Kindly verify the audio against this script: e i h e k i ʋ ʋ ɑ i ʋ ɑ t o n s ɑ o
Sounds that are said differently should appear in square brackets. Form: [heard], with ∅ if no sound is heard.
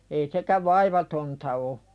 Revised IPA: e i [s] e k [æ] ʋ ʋ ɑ i ʋ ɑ t o n [t] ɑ o